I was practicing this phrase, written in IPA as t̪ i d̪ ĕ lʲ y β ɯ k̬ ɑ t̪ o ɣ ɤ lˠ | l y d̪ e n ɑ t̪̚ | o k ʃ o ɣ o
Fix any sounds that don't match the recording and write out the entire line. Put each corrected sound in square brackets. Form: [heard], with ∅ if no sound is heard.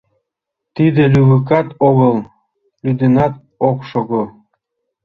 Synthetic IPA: t̪ i d̪ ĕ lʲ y β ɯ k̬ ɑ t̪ o ɣ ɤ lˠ | l y d̪ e n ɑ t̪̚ | o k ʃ o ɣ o